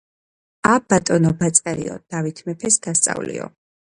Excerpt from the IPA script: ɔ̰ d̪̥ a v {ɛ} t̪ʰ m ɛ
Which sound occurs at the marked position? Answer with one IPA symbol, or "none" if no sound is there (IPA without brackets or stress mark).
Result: i